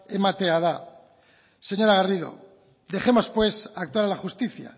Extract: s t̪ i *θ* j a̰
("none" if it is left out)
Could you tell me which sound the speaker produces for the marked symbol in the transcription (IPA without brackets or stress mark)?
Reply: θ